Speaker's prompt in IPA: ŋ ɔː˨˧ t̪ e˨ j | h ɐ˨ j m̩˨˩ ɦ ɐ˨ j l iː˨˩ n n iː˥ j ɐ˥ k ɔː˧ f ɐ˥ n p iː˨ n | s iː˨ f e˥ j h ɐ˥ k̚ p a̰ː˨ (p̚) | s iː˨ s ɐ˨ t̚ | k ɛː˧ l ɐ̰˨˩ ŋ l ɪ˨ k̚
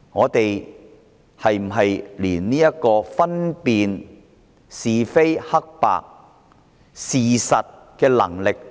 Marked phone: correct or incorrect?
incorrect